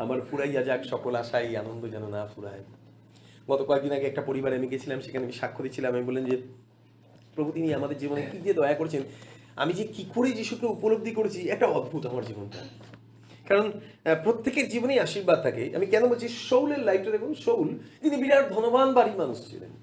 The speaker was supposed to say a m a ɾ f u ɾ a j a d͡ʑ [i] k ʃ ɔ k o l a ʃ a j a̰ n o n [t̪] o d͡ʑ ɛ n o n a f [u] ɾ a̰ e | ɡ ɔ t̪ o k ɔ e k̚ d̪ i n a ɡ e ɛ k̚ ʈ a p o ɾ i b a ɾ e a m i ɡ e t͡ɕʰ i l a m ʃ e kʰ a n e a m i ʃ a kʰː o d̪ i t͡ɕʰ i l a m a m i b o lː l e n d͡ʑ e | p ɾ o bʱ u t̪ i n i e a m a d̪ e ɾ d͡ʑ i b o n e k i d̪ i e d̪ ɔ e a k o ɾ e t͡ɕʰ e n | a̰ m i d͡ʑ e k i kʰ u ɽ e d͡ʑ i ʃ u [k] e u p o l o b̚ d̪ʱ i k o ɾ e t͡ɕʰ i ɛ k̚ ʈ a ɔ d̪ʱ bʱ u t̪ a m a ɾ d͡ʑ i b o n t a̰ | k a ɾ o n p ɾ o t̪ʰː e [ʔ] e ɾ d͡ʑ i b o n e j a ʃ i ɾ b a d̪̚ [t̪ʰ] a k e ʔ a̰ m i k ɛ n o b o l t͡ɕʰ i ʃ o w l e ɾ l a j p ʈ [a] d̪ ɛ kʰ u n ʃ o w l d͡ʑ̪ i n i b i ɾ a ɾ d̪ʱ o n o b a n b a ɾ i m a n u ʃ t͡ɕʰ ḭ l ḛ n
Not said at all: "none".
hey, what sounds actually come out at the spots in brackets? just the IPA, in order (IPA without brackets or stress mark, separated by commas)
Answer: a, d̪, u, k, k, t̪ʰ, a